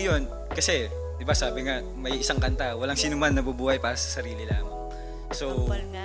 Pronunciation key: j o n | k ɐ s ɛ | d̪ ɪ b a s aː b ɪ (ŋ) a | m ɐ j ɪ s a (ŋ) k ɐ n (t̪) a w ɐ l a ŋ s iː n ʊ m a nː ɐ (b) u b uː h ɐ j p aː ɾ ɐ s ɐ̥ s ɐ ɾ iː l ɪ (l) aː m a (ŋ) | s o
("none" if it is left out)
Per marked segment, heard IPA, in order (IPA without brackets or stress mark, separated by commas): ŋ, ŋ, t̪, b, l, ŋ